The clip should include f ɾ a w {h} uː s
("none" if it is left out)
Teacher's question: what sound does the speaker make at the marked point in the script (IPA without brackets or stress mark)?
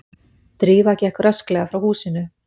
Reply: h